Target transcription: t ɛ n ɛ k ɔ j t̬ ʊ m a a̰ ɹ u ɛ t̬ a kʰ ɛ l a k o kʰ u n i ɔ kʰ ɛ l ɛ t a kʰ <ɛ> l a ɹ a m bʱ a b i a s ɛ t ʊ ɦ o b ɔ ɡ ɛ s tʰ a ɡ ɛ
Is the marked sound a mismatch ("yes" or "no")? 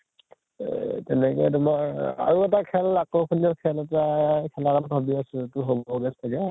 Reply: no